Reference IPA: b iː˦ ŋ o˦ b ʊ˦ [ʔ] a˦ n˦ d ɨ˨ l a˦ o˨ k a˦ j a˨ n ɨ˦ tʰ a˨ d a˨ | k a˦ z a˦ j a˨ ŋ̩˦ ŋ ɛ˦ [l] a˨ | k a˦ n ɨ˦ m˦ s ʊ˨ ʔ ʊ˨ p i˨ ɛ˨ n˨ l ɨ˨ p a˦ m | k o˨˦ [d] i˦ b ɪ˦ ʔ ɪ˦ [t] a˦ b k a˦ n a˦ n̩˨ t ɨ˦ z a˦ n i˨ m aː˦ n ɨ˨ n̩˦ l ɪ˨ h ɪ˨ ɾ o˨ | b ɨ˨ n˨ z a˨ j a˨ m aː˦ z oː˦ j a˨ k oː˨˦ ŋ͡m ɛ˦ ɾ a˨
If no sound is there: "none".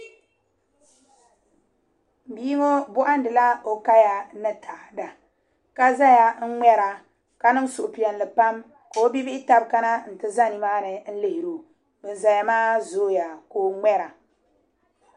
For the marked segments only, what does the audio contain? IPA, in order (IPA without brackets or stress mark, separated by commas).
ʔ, ɾ, b, t